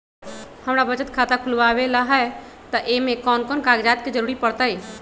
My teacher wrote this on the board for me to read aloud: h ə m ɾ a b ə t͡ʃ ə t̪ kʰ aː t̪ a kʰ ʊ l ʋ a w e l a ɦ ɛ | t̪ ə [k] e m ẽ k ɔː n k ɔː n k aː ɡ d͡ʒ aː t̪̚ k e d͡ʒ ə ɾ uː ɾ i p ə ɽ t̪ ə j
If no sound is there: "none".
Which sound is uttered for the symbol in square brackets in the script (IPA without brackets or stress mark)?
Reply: ʔ